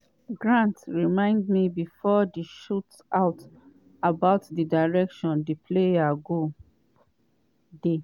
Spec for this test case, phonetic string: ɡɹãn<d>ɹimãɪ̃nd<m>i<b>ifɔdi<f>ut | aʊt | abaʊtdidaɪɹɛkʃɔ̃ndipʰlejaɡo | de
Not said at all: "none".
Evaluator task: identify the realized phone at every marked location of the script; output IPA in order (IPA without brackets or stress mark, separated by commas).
t, m, b, ʃ